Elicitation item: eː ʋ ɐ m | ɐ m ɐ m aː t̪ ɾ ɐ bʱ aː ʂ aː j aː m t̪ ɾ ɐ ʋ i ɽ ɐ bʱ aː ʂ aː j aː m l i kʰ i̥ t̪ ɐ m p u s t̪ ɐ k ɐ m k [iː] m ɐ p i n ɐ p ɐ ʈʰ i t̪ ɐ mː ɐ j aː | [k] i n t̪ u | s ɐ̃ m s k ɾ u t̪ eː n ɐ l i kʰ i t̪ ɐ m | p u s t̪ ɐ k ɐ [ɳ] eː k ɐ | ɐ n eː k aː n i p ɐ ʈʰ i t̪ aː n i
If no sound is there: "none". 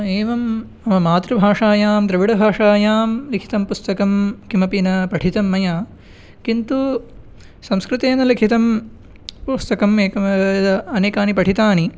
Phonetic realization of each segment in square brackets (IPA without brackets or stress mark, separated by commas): i, k, m